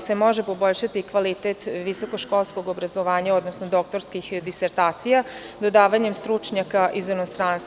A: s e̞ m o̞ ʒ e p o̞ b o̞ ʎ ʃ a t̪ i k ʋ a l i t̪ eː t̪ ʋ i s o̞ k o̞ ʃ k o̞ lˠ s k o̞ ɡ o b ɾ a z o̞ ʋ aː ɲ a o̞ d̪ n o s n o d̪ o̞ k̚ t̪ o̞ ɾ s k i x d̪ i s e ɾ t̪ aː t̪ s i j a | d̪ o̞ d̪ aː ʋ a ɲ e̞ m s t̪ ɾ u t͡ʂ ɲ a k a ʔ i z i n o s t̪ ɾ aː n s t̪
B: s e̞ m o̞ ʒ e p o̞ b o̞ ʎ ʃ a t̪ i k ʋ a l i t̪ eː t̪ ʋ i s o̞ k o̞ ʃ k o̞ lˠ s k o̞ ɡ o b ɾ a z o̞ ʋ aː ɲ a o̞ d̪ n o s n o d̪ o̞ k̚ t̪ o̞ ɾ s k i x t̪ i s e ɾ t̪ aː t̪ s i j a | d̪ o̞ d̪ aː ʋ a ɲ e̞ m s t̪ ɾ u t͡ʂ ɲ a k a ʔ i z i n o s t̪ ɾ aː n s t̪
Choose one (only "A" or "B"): A